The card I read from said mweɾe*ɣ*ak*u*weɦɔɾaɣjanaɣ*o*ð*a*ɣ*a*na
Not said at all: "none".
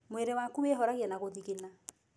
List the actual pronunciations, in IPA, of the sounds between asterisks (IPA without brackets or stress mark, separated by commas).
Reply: w, u, o, i, e